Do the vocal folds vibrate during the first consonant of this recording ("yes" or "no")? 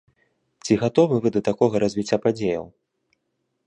no